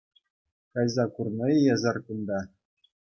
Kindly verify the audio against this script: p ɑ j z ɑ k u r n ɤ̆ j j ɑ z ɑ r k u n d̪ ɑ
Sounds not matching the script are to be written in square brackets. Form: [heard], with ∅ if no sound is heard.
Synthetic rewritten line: [k] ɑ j z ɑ k u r n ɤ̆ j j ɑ z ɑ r k u n d̪ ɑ